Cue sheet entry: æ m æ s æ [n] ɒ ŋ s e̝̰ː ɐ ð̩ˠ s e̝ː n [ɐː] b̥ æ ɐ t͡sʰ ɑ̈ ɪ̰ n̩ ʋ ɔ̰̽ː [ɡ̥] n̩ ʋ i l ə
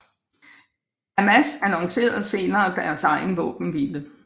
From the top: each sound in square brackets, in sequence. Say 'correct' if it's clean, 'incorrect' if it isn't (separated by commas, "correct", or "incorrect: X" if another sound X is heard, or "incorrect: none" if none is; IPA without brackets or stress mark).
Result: correct, correct, incorrect: b̥